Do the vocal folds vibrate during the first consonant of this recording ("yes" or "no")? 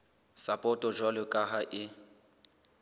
no